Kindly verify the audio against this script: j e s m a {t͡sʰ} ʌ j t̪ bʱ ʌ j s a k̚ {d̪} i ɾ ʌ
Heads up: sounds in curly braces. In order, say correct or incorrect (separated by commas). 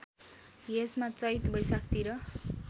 incorrect, incorrect